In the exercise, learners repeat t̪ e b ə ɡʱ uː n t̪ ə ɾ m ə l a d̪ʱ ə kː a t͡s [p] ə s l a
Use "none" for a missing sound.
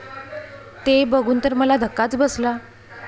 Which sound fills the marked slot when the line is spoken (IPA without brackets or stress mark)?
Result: b